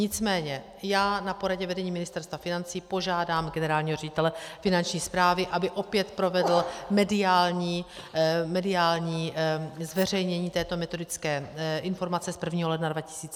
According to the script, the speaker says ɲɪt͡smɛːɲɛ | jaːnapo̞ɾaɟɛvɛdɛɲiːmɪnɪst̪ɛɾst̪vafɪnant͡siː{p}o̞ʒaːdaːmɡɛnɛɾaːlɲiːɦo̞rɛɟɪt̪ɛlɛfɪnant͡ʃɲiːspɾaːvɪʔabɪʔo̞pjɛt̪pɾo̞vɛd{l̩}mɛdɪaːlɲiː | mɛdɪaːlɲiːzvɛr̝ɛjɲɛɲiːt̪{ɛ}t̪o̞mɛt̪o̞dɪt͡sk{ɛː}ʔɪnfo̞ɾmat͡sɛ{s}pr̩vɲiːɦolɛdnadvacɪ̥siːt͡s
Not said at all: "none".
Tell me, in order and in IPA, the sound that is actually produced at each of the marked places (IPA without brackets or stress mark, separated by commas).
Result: p, l̩, ɛː, ɛː, s